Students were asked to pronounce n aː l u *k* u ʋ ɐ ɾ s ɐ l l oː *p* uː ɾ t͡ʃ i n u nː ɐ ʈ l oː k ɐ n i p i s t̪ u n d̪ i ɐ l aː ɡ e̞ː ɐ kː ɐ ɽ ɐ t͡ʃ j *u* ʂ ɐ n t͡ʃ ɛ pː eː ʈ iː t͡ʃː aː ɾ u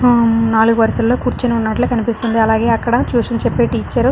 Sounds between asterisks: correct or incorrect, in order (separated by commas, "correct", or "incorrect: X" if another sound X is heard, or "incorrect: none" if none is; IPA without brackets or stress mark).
incorrect: ɡ, incorrect: k, incorrect: uː